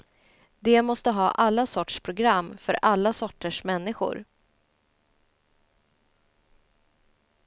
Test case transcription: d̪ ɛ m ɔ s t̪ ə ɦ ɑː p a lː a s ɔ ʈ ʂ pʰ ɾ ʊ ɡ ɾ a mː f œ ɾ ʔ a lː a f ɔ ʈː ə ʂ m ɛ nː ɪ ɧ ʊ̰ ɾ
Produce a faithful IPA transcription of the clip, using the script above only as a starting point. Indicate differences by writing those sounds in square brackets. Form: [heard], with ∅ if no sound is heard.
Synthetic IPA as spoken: d̪ ɛ m ɔ s t̪ ə ɦ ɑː [ʔ] a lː a s ɔ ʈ ʂ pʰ ɾ ʊ ɡ ɾ a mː f œ ɾ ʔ a lː a [s] ɔ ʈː ə ʂ m ɛ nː ɪ ɧ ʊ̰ ɾ

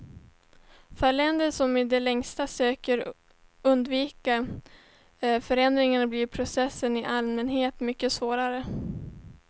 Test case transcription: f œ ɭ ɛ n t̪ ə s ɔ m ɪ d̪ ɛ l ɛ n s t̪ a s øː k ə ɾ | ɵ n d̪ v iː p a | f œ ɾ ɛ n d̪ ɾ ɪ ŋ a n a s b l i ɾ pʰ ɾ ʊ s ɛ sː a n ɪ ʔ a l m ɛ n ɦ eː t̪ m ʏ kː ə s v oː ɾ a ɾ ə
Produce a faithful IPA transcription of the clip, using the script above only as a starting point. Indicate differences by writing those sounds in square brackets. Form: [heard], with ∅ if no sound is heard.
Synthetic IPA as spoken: f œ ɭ ɛ n [d̪] ə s ɔ m ɪ d̪ ɛ l ɛ [ŋ] s t̪ a s øː k ə ɾ | ɵ n d̪ v iː [k] a | f œ ɾ ɛ n d̪ ɾ ɪ ŋ a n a [∅] b l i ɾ pʰ ɾ ʊ s ɛ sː [ə] n ɪ ʔ a l m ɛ n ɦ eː t̪ m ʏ kː ə s v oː ɾ a ɾ ə

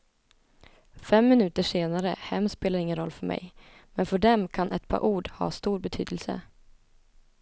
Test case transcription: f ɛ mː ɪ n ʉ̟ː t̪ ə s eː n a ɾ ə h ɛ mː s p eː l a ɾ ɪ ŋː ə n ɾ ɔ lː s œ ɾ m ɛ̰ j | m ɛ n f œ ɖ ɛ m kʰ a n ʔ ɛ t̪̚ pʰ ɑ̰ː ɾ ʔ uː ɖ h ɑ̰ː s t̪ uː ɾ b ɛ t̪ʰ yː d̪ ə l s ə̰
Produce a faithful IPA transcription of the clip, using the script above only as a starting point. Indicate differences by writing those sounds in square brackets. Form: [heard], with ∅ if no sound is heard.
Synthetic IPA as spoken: f ɛ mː ɪ n ʉ̟ː t̪ ə [ʂ] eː n a ɾ ə h ɛ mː s p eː l a ɾ ɪ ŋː ə n ɾ ɔ lː [f] œ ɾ m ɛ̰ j | m ɛ n f œ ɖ ɛ m kʰ a n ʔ ɛ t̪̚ pʰ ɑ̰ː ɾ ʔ uː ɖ h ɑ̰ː s t̪ uː ɾ b ɛ t̪ʰ yː d̪ ə l s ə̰

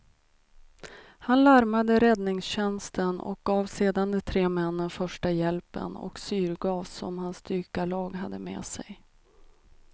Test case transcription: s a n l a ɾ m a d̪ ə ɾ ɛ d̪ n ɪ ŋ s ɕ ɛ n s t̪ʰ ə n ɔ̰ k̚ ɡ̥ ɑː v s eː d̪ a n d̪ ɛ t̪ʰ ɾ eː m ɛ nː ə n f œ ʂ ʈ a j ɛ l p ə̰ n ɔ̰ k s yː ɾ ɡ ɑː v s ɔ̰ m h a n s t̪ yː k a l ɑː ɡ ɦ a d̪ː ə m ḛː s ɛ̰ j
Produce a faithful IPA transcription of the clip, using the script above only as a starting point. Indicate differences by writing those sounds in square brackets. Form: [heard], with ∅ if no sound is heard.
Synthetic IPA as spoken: [h] a n l a ɾ m a d̪ ə ɾ ɛ d̪ n ɪ ŋ s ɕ ɛ n s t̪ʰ ə n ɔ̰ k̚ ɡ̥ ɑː v s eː d̪ a n d̪ ɛ t̪ʰ ɾ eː m ɛ nː ə n f œ ʂ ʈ a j ɛ l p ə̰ n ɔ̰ k s yː ɾ ɡ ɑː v s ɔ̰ m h a n s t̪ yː k a l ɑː ɡ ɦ a d̪ː ə m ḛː s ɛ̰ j

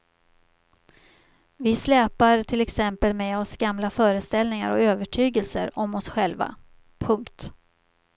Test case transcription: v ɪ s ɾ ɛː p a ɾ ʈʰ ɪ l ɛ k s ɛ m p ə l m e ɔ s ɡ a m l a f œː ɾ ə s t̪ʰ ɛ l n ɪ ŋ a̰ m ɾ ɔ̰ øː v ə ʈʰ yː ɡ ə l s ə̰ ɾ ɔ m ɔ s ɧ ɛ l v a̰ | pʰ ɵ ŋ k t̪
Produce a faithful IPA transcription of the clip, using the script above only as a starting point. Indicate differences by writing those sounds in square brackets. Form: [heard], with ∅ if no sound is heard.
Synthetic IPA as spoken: v ɪ s [l] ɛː p a ɾ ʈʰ ɪ l ɛ k s ɛ m p ə l m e ɔ s ɡ a m l a f œː ɾ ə s [t̪] ɛ l n ɪ ŋ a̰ [∅] ɾ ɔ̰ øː v ə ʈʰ yː ɡ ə l s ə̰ ɾ ɔ m ɔ s ɧ ɛ l v a̰ | pʰ ɵ ŋ k t̪

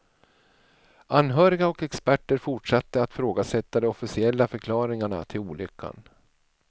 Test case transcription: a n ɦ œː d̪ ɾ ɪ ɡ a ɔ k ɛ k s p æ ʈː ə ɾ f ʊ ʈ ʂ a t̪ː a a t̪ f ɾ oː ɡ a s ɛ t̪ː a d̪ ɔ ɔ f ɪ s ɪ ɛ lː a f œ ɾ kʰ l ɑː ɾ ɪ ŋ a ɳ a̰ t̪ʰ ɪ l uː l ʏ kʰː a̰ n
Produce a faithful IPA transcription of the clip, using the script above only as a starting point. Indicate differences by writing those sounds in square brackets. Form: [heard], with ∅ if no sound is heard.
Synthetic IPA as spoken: a n ɦ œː [∅] ɾ ɪ ɡ a ɔ k ɛ k s p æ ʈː ə ɾ f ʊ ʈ ʂ a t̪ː [ə] a t̪ f ɾ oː ɡ a s ɛ t̪ː a d̪ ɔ ɔ f ɪ s ɪ ɛ lː a f œ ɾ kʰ l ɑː ɾ ɪ ŋ a ɳ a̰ t̪ʰ ɪ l uː l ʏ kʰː a̰ n

